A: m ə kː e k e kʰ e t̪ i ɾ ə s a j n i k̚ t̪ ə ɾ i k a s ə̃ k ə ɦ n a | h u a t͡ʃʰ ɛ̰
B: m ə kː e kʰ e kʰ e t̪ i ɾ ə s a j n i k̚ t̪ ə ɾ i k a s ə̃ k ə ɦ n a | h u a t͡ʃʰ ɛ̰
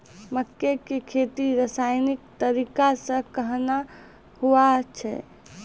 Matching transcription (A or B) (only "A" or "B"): A